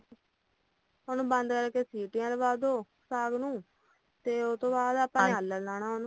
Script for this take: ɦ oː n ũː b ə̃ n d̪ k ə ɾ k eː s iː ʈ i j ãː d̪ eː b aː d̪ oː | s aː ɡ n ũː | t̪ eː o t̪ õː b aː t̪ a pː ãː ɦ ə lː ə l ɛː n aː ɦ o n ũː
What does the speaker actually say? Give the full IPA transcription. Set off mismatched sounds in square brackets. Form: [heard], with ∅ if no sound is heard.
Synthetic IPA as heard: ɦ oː n ũː b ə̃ n d̪ k ə ɾ k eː s iː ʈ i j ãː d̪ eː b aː d̪ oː | s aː ɡ n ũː | t̪ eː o t̪ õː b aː [d̪] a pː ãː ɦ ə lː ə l [aː] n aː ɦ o n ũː